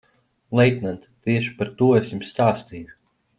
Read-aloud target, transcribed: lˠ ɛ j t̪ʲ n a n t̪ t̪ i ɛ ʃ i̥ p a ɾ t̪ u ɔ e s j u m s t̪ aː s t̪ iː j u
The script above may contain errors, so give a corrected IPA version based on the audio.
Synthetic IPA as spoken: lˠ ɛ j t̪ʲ n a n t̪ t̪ i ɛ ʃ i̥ p a ɾ t̪ u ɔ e s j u m s t̪ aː s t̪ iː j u